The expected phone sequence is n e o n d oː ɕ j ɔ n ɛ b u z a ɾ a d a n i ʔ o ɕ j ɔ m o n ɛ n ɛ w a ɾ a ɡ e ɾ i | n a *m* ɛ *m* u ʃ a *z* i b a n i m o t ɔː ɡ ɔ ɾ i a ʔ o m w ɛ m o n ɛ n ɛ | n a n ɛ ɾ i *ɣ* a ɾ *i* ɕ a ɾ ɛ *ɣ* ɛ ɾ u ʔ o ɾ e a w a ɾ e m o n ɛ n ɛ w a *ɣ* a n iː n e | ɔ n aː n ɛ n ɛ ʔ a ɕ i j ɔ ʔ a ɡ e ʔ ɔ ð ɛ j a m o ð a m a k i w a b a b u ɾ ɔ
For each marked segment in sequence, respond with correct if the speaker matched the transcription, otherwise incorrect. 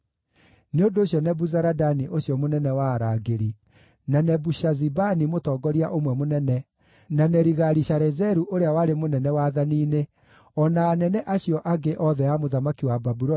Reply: incorrect: n, incorrect: b, correct, correct, correct, incorrect: z, incorrect: ð

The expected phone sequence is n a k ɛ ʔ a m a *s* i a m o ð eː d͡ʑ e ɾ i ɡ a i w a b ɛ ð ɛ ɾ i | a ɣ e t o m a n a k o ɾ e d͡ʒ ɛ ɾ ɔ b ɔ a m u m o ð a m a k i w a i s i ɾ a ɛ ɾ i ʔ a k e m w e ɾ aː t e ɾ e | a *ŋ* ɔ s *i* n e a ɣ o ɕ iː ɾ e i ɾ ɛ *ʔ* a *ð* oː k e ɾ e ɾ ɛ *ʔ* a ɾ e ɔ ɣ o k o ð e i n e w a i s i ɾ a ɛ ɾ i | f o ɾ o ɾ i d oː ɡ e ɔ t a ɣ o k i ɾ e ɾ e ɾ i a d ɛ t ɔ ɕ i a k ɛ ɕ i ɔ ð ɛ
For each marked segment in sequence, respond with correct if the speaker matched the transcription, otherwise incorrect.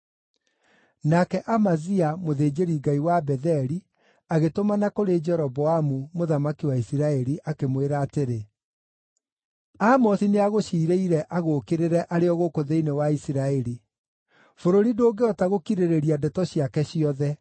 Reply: incorrect: z, incorrect: m, correct, correct, incorrect: ɣ, correct

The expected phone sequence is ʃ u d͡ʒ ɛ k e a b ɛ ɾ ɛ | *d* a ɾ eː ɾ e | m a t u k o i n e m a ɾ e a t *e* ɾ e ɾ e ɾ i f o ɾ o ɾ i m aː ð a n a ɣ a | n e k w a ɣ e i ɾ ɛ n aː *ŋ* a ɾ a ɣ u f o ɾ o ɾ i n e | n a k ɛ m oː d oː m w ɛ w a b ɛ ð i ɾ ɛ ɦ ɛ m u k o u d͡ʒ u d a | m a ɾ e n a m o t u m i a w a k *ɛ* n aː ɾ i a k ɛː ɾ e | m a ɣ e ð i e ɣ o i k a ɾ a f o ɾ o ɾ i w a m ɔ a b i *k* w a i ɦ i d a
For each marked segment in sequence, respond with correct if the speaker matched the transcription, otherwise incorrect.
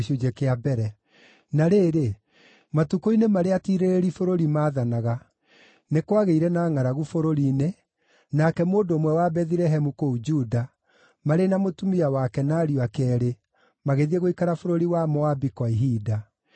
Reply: incorrect: n, incorrect: i, correct, correct, correct

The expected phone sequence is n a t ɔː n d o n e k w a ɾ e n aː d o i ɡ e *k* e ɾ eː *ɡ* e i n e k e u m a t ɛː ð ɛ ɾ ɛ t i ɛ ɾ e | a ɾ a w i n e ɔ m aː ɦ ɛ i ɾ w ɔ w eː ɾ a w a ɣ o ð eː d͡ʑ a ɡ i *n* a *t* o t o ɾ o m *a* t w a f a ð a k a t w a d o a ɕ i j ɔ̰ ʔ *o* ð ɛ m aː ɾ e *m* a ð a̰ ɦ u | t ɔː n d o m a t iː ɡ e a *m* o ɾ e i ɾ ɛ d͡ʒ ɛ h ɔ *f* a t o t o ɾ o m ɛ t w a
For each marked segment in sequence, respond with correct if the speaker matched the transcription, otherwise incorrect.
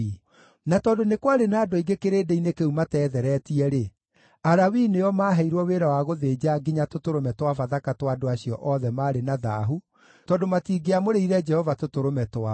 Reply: correct, incorrect: d, incorrect: ɲ, correct, incorrect: ɛ, incorrect: ɔ, incorrect: n, correct, incorrect: v

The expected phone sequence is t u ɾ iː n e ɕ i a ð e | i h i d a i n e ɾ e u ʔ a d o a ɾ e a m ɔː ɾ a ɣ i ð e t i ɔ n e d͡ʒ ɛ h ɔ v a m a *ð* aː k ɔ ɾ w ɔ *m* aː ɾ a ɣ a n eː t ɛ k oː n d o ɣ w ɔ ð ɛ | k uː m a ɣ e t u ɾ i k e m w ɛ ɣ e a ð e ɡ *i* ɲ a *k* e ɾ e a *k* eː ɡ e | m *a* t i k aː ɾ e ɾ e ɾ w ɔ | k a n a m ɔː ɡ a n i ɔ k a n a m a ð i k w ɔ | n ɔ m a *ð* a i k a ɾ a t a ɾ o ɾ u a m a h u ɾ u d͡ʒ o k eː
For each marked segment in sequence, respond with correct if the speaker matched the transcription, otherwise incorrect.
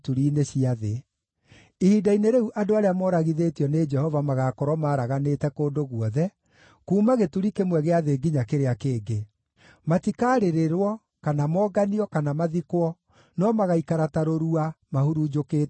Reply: incorrect: ɣ, correct, correct, correct, correct, correct, incorrect: ɣ

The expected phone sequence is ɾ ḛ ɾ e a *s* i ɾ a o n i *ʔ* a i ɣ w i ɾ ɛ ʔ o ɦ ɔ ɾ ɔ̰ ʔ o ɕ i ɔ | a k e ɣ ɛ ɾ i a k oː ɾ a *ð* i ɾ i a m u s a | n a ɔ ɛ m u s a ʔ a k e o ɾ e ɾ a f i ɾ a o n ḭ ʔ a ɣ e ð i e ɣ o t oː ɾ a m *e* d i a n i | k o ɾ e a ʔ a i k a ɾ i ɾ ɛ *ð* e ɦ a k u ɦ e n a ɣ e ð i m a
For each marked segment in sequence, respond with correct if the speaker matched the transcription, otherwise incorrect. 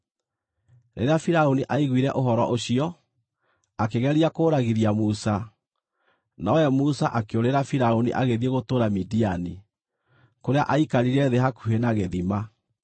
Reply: incorrect: f, correct, incorrect: ɣ, incorrect: i, correct

